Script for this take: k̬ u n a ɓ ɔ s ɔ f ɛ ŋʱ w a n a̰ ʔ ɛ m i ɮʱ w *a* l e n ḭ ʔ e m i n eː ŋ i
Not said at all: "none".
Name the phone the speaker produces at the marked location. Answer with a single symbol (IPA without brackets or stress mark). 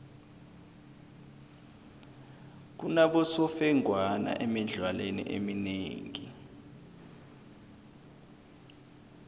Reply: a